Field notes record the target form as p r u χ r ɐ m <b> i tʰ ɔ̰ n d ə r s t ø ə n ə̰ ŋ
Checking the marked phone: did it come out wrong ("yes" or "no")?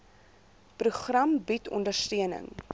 no